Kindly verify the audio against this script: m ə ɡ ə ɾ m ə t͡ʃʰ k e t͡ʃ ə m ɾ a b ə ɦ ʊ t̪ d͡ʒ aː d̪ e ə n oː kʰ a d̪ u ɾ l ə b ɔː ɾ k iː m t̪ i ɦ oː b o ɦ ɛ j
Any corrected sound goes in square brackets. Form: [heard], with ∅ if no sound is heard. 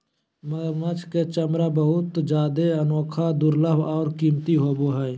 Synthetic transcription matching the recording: m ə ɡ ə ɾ m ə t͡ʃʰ k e t͡ʃ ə m ɾ a b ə ɦ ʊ t̪ d͡ʒ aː d̪ e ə n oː kʰ a d̪ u ɾ l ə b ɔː ɾ k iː m t̪ i ɦ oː b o ɦ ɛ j